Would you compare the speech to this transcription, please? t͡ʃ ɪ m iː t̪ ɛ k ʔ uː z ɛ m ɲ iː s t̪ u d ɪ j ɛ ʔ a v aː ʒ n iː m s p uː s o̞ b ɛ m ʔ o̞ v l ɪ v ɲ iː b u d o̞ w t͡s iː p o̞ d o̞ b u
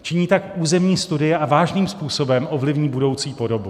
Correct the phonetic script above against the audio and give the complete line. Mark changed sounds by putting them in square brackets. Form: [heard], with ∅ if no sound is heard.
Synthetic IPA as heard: t͡ʃ ɪ [ɲ] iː t̪ [a] k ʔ uː z ɛ m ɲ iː s t̪ u d ɪ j ɛ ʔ a v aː ʒ n iː m s p uː s o̞ b ɛ m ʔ o̞ v l ɪ v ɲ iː b u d o̞ w t͡s iː p o̞ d o̞ b u

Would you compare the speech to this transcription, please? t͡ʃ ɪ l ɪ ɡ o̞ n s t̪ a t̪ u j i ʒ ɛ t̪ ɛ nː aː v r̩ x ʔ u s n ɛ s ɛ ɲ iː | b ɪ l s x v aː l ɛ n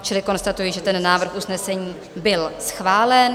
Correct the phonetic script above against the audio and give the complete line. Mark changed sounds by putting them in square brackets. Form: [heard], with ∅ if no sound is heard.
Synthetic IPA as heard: t͡ʃ ɪ l ɪ [k] o̞ n s t̪ a t̪ u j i ʒ ɛ t̪ ɛ nː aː v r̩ x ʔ u s n ɛ s ɛ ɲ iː | b ɪ l s x v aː l ɛ n

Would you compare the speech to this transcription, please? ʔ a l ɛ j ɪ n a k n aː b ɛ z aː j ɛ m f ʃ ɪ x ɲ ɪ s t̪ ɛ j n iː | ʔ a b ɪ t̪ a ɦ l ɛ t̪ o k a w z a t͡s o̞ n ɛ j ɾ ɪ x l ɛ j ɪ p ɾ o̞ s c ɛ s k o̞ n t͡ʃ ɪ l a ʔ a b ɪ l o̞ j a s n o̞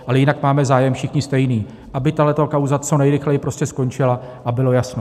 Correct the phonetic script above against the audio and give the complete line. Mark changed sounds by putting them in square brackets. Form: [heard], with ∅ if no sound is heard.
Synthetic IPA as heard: ʔ a l ɛ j ɪ n a k [m] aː [m] ɛ z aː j ɛ m f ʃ ɪ x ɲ ɪ s t̪ ɛ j n iː | ʔ a b ɪ t̪ a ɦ l ɛ t̪ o k a w z a t͡s o̞ n ɛ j ɾ ɪ x l ɛ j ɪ p ɾ o̞ s c ɛ s k o̞ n t͡ʃ ɪ l a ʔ a b ɪ l o̞ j a s n o̞

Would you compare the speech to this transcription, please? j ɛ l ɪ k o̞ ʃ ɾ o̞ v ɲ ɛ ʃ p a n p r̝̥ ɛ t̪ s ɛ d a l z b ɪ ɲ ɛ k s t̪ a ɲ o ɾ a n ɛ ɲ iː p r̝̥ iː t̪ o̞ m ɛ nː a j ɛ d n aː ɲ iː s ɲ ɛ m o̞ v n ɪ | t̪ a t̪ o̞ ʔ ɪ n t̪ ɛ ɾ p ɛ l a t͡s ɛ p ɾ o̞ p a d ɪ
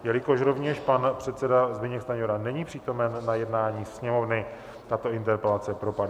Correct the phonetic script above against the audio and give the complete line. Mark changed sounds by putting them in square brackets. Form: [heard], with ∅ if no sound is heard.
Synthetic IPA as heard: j ɛ l ɪ k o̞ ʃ ɾ o̞ v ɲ ɛ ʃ p a n p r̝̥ ɛ t̪ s ɛ d a [∅] z b ɪ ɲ ɛ k s t̪ a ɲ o ɾ a n ɛ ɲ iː p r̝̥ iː t̪ o̞ m ɛ nː a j ɛ d n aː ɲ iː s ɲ ɛ m o̞ v n ɪ | t̪ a t̪ o̞ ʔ ɪ n t̪ ɛ ɾ p ɛ l a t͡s ɛ p ɾ o̞ p a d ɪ

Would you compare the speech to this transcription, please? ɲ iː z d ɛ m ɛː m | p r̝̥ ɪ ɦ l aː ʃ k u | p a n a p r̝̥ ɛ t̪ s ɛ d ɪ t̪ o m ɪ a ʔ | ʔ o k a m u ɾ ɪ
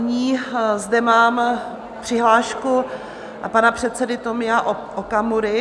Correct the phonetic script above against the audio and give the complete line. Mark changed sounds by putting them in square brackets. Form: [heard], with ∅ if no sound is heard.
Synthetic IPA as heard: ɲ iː z d ɛ m [aː] m | p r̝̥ ɪ ɦ l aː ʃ k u | p a n a p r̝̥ ɛ t̪ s ɛ d ɪ t̪ o m ɪ a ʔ | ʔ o k a m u ɾ ɪ

